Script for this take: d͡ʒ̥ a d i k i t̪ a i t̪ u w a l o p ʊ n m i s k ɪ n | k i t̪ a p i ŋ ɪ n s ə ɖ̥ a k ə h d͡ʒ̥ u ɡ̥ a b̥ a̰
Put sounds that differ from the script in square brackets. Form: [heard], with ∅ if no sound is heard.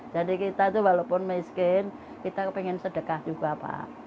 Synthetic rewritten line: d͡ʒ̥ a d i k i t̪ a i t̪ u w a l o p ʊ n m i s k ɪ n | k i t̪ a p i ŋ ɪ n s ə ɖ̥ [ə] k [a] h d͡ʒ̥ u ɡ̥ a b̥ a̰